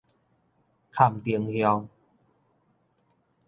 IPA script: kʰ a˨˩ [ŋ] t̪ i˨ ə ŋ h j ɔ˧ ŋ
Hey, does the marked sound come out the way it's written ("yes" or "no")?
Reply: no